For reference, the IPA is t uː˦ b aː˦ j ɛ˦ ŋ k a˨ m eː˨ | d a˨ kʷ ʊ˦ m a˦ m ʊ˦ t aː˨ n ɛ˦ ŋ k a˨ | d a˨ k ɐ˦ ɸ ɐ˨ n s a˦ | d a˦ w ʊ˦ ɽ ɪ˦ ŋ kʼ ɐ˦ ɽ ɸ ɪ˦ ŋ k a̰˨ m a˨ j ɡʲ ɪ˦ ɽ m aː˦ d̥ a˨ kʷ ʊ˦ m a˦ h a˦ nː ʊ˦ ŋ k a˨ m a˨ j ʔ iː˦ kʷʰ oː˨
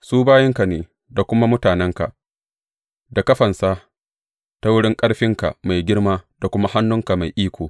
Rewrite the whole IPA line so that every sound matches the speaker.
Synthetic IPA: s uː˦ b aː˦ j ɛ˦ ŋ k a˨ n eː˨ | d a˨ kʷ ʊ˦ m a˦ m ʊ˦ t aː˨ n ɛ˦ ŋ k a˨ | d a˨ k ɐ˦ ɸ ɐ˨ n s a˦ | t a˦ w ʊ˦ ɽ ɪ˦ ŋ kʼ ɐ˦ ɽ ɸ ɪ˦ ŋ k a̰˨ m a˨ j ɡʲ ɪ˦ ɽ m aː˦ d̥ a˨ kʷ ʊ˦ m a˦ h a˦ nː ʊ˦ ŋ k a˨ m a˨ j ʔ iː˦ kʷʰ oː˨